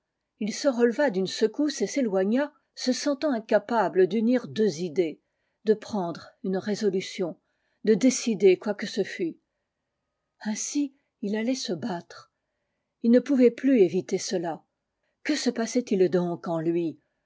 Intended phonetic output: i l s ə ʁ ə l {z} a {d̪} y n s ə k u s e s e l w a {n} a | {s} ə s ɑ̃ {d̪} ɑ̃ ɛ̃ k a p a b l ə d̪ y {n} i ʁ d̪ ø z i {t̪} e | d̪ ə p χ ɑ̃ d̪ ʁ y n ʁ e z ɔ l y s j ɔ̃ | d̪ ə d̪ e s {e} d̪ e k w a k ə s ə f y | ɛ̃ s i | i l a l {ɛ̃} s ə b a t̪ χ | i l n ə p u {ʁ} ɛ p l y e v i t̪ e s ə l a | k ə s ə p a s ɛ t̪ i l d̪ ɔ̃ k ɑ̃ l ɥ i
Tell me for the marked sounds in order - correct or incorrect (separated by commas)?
incorrect, correct, incorrect, correct, incorrect, correct, incorrect, incorrect, incorrect, incorrect